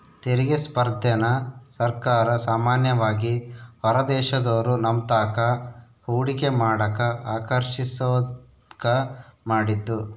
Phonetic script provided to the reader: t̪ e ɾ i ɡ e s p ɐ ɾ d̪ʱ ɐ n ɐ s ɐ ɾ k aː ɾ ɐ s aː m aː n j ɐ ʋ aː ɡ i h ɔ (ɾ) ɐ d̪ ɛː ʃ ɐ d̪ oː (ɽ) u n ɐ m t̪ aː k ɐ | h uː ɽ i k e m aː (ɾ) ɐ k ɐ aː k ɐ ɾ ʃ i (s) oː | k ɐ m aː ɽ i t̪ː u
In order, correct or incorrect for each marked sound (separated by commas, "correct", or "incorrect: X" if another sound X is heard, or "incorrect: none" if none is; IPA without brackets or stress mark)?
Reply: correct, incorrect: ɾ, incorrect: ɽ, correct